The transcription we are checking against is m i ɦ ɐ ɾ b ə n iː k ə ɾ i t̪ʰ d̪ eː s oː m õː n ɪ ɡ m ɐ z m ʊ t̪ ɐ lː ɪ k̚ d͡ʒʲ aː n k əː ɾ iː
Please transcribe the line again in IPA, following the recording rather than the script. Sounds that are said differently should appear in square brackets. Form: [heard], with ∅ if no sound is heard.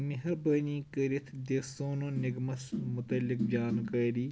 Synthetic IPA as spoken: m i ɦ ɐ ɾ b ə n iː k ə ɾ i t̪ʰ d̪ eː s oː [n] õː n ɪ ɡ m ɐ [s] m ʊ t̪ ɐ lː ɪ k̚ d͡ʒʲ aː n k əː ɾ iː